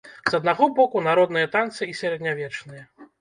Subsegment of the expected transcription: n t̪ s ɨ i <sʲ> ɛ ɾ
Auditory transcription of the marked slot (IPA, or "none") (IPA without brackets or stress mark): sʲ